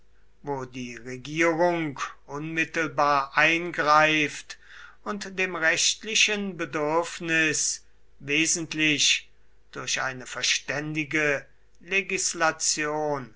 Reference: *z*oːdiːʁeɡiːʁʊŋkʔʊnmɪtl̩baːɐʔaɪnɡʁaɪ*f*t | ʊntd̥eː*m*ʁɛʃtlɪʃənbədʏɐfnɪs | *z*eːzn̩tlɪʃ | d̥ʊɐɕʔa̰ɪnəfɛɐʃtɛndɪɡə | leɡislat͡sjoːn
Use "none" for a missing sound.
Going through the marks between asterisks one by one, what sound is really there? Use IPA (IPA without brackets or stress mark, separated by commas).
v, f, m, v